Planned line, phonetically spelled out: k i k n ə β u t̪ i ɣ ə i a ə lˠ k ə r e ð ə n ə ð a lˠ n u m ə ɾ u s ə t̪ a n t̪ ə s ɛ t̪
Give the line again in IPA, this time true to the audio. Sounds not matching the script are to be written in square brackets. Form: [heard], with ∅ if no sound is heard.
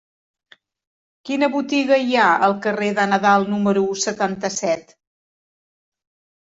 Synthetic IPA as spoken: k i [∅] n ə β u t̪ i ɣ ə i a ə lˠ k ə r e ð ə n ə ð a lˠ n u m ə ɾ u s ə t̪ a n t̪ ə s ɛ t̪